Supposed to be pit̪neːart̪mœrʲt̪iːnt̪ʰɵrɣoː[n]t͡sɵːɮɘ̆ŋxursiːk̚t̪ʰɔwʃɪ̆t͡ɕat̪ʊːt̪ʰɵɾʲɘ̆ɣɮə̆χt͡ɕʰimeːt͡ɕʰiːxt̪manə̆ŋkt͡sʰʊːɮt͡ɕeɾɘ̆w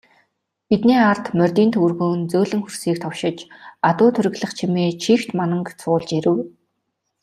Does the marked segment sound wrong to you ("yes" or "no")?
no